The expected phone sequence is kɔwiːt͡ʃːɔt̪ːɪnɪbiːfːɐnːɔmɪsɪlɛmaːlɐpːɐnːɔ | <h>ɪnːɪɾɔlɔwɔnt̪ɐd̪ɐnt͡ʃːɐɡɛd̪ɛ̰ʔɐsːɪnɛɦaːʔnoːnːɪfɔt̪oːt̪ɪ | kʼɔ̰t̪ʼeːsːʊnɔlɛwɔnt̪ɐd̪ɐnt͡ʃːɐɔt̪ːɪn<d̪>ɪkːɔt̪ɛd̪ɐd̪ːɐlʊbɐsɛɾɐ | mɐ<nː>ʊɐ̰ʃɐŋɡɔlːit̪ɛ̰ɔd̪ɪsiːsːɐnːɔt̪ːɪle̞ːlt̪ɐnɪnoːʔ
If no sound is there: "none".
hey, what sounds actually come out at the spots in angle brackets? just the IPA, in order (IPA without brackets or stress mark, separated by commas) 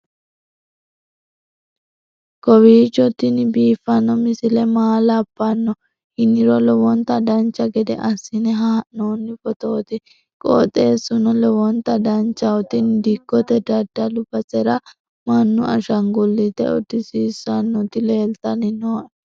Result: h, d̪, nː